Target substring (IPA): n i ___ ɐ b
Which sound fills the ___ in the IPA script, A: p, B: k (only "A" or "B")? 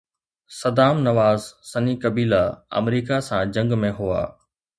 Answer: B